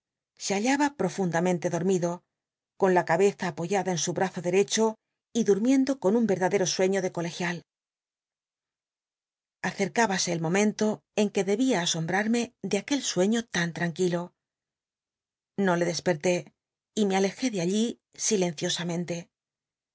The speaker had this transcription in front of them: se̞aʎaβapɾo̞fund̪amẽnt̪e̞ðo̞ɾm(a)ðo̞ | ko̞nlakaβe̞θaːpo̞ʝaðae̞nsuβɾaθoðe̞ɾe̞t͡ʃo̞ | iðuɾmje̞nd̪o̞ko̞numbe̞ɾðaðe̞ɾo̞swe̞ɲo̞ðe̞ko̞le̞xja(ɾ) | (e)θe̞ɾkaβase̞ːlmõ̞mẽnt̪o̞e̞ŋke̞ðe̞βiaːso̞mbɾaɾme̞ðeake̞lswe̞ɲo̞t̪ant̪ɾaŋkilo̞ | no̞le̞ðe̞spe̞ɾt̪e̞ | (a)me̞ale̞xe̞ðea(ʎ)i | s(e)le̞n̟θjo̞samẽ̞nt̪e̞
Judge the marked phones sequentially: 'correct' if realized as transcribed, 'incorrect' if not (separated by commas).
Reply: incorrect, incorrect, incorrect, incorrect, correct, incorrect